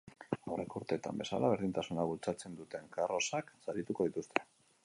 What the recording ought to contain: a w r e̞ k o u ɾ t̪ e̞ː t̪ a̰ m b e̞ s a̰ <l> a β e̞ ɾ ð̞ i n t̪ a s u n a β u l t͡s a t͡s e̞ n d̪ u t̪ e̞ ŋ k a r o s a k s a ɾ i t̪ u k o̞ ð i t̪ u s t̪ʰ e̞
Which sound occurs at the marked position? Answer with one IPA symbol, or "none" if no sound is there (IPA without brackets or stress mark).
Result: l